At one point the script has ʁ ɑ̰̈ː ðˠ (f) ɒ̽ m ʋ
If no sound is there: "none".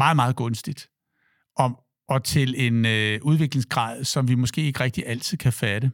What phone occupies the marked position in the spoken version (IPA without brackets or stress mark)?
s